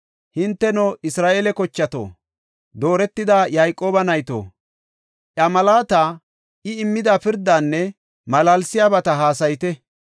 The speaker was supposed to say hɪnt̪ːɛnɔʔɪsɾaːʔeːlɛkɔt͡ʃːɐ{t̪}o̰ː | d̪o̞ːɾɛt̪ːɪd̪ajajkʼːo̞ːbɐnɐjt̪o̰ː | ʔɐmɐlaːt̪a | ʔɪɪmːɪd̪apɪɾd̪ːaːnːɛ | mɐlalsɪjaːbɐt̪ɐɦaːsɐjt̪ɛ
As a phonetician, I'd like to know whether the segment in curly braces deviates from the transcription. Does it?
no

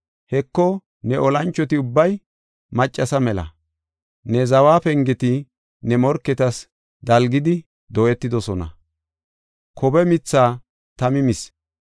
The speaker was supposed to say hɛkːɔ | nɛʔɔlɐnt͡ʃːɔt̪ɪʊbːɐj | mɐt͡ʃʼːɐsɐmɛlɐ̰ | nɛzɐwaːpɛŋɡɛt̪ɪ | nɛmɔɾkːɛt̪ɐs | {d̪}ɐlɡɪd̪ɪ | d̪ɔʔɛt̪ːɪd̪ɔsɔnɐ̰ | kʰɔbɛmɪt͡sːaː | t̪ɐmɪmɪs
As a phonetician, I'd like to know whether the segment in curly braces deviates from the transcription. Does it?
no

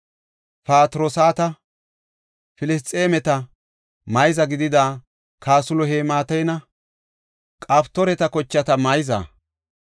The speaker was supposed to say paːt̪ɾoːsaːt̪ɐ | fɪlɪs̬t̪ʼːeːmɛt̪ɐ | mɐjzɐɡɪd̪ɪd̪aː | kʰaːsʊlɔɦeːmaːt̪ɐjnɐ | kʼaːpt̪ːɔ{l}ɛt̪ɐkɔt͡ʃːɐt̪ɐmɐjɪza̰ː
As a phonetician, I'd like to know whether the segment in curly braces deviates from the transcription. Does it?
yes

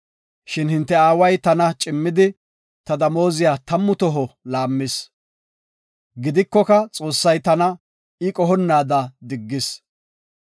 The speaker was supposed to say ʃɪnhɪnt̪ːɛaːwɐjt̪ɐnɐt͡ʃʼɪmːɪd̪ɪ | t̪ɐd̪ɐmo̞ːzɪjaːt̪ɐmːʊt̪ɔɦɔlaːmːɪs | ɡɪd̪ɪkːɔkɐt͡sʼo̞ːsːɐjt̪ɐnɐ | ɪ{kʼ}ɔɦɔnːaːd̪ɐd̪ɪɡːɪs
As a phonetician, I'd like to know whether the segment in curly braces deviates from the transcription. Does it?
no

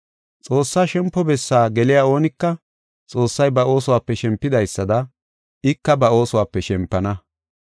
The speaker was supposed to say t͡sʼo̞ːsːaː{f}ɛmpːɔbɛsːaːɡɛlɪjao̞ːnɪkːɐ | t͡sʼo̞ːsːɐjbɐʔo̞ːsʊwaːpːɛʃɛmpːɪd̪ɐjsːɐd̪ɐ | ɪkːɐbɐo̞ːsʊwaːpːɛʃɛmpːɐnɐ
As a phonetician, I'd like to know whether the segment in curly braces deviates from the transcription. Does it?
yes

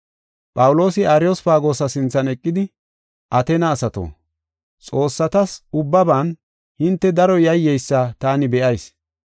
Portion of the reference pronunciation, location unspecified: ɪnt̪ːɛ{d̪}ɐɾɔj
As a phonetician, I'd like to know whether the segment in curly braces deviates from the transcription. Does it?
no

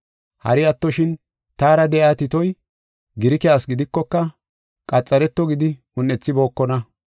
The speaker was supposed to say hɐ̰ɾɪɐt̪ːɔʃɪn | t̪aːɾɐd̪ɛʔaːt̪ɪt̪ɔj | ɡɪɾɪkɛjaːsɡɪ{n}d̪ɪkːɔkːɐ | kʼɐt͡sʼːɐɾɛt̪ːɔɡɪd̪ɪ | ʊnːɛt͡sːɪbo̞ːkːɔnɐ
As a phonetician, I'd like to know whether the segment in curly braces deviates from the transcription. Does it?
yes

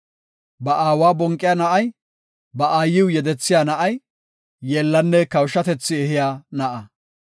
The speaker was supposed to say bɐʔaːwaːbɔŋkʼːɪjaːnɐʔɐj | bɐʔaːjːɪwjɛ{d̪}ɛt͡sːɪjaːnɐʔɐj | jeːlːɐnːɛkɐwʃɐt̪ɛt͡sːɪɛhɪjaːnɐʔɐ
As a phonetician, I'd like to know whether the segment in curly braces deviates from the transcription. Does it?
no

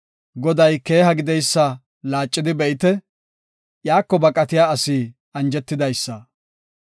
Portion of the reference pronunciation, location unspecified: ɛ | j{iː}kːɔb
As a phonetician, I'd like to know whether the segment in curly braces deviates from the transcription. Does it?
yes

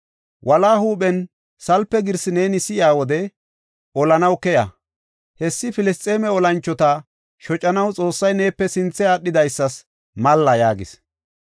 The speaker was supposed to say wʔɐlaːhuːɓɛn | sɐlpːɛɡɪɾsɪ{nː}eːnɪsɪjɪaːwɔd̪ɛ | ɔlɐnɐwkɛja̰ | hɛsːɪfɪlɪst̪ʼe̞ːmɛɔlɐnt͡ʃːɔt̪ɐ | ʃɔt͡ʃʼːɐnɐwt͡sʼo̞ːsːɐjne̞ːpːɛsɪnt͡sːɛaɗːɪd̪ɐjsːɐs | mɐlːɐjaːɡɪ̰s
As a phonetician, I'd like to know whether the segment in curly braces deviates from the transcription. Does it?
yes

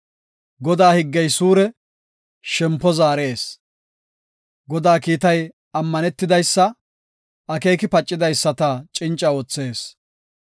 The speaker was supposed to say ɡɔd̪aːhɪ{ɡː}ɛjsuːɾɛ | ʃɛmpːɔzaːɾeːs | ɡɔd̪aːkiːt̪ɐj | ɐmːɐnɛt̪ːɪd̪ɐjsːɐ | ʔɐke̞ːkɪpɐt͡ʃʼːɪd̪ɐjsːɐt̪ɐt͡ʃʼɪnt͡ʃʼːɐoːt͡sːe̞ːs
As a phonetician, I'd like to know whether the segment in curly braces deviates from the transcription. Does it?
no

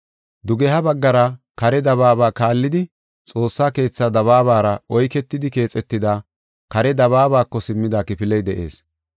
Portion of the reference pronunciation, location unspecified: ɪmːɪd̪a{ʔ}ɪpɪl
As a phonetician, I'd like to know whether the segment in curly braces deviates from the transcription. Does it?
yes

